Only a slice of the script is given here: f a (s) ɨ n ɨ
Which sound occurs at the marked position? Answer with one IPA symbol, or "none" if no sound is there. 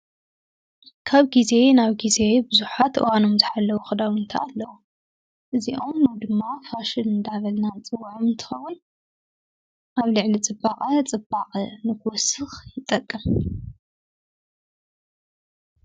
ʃ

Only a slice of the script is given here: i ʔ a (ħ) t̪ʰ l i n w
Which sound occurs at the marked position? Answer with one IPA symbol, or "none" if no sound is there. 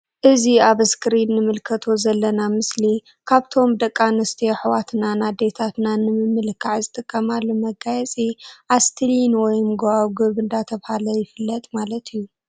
s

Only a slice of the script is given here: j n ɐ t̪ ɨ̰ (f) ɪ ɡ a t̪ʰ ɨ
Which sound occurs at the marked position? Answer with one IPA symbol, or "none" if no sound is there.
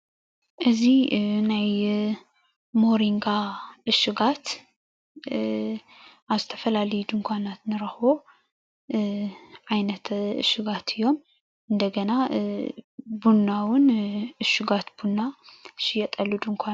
ʃ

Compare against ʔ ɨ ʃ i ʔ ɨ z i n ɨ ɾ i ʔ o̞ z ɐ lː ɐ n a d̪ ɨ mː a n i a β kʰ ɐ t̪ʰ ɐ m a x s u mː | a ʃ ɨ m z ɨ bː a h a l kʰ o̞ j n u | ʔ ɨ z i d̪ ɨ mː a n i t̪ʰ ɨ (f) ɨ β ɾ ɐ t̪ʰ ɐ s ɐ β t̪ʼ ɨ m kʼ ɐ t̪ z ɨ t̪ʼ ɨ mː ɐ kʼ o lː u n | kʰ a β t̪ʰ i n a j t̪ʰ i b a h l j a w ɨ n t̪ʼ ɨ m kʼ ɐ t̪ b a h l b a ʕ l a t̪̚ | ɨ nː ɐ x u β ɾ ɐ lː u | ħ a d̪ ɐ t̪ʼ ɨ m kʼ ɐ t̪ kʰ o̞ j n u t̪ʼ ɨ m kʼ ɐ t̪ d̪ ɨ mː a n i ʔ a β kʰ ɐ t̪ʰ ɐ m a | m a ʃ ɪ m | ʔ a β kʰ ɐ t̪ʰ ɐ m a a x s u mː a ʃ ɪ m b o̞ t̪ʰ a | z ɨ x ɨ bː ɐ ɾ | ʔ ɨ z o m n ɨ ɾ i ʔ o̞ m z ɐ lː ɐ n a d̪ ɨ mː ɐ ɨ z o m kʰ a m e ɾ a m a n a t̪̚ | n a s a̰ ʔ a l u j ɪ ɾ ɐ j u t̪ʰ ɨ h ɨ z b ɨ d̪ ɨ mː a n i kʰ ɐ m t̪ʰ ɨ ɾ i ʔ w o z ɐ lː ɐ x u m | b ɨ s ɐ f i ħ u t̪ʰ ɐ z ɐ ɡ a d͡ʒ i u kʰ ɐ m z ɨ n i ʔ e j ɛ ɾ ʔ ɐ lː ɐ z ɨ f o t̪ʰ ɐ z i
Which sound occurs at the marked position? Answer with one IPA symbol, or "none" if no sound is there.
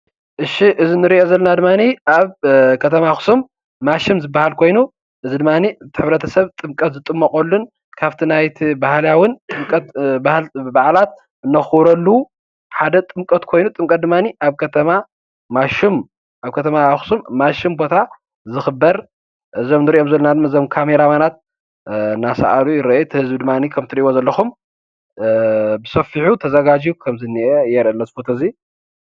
ħ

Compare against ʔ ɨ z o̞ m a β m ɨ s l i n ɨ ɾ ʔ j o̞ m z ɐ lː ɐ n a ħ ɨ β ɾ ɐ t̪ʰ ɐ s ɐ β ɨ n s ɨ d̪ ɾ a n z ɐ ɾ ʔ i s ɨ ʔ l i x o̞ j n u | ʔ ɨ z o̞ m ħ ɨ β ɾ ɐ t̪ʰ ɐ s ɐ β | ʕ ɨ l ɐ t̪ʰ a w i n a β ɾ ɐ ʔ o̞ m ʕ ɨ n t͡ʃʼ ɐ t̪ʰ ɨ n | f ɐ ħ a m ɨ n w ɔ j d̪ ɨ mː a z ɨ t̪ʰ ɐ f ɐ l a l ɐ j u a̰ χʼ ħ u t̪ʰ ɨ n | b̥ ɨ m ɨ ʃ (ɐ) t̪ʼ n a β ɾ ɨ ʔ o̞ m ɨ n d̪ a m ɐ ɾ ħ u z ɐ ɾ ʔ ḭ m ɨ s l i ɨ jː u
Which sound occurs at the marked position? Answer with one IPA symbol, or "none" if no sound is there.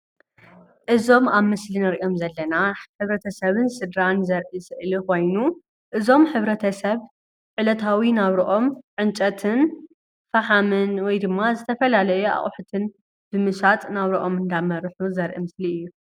a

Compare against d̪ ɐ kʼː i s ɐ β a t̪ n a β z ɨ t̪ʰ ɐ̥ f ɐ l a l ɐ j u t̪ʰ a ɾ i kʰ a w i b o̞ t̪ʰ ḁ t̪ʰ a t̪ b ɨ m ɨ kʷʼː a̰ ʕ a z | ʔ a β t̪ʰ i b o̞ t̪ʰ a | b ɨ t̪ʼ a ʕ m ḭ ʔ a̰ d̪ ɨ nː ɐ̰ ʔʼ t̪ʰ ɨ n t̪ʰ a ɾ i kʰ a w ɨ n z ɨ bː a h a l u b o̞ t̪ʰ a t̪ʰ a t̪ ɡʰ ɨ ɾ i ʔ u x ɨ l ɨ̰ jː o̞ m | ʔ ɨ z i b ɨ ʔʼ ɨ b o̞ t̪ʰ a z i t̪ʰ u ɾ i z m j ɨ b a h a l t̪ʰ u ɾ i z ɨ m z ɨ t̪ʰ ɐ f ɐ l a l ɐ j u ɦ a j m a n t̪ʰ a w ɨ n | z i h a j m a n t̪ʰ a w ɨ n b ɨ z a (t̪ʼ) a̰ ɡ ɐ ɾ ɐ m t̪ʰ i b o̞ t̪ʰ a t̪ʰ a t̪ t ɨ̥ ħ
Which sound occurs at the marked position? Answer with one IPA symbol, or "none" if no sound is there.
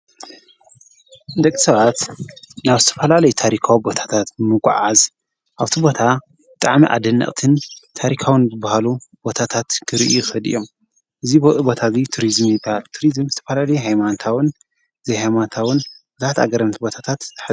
t̪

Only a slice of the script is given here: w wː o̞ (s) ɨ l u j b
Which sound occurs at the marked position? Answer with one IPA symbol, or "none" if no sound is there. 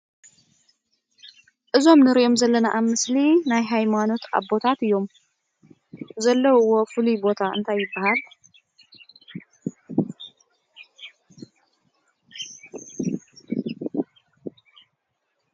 f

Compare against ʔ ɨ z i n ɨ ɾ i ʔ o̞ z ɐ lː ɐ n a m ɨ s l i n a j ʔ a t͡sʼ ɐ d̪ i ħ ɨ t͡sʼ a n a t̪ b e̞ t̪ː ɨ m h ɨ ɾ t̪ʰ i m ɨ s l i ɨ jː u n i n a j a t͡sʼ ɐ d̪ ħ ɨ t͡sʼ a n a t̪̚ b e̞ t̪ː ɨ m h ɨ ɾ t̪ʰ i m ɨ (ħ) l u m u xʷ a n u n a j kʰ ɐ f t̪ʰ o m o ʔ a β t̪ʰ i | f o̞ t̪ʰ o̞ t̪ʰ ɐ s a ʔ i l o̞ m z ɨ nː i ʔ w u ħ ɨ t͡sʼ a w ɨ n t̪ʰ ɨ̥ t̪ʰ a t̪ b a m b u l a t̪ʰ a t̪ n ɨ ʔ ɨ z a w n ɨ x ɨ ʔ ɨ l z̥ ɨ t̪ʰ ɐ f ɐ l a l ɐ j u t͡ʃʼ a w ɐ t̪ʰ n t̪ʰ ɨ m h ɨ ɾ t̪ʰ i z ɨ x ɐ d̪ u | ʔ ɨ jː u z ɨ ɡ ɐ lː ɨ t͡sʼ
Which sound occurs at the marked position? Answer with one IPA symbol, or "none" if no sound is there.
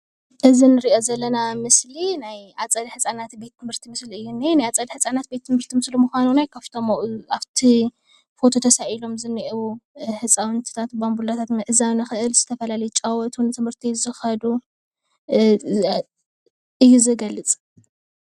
s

